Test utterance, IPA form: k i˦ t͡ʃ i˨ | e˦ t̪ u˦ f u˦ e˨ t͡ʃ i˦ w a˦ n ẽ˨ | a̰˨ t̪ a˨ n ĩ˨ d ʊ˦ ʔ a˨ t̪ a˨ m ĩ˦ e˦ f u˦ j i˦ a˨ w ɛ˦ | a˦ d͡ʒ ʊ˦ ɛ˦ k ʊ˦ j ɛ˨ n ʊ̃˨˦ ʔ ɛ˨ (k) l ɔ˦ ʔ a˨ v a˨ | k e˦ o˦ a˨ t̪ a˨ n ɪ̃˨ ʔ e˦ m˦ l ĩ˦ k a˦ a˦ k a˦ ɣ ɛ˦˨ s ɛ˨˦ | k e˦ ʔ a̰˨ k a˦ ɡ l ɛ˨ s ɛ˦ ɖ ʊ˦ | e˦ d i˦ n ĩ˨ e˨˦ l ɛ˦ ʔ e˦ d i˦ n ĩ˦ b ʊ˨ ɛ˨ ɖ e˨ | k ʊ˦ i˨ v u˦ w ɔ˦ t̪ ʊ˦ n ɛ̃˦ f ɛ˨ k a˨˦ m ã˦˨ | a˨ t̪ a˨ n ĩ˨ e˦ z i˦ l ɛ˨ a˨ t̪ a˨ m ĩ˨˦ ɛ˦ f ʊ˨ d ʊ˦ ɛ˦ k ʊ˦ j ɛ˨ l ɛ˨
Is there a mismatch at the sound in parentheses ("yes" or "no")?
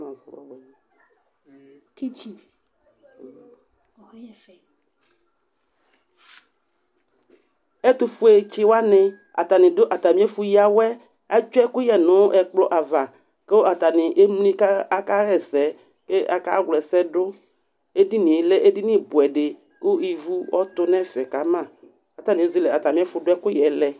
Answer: yes